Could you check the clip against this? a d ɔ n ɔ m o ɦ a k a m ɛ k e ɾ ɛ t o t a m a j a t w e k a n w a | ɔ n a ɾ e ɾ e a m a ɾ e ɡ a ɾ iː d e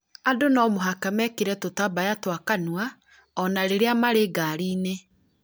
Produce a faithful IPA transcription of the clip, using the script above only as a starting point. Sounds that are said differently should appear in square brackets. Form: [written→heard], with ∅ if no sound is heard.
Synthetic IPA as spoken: a d [ɔ→o] n ɔ m o ɦ a k a m ɛ k e ɾ ɛ t o t a [m→b] a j a t w [e→a] k a n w a | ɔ n a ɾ e ɾ e a m a ɾ e ɡ a ɾ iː [d→n] e